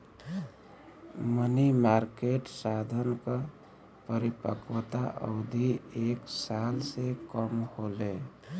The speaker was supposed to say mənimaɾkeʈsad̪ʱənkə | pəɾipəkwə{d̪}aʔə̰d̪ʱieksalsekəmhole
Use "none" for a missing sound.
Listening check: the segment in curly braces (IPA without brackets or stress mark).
t̪